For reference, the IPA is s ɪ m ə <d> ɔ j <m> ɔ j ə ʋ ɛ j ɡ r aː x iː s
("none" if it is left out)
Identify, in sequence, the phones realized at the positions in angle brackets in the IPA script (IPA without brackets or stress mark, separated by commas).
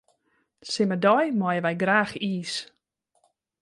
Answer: d, m